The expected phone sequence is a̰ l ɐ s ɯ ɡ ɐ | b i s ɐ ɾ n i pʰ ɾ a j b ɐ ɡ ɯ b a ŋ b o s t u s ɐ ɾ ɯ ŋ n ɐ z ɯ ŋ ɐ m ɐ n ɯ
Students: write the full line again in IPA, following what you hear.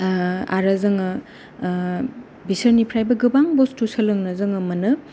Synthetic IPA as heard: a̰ ɾ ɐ z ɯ ŋ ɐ | b i s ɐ ɾ n i pʰ ɾ a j b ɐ ɡ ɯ b a ŋ b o s t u s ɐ l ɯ ŋ n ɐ z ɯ ŋ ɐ m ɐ n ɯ